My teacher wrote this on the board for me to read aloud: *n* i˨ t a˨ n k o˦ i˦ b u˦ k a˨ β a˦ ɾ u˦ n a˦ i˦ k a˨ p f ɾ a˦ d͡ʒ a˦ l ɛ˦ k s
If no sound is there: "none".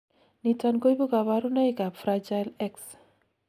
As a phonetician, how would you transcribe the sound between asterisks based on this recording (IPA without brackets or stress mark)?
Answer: n